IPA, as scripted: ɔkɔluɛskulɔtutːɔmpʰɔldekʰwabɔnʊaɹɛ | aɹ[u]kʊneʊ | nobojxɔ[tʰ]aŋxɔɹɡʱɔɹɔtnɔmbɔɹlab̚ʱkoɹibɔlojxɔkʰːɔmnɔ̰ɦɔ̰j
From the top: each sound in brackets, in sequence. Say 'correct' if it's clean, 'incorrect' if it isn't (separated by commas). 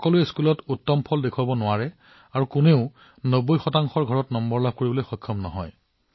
correct, incorrect